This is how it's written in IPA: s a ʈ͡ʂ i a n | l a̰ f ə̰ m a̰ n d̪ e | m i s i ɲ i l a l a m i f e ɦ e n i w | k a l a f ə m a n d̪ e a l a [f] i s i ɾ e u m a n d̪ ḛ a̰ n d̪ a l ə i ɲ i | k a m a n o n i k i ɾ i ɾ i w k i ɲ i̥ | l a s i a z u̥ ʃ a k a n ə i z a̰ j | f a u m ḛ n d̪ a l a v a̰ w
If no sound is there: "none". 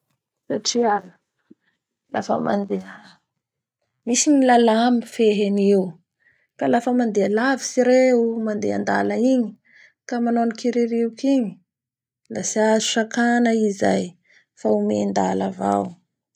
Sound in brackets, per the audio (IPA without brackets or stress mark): v